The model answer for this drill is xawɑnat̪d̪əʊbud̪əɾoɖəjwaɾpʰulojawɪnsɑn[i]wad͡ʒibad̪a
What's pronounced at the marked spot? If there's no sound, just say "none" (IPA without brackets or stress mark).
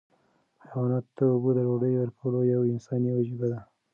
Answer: i